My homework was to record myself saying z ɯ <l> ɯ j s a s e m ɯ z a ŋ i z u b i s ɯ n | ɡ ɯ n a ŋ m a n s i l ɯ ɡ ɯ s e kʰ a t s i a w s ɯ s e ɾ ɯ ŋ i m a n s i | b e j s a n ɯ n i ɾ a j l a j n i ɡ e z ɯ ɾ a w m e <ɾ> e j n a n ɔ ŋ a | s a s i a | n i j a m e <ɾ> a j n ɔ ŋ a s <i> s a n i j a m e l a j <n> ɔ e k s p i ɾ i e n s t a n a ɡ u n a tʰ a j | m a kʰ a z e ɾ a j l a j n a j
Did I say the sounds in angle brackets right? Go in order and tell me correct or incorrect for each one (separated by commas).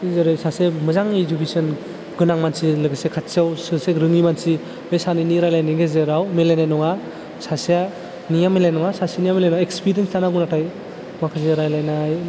incorrect, incorrect, incorrect, incorrect, correct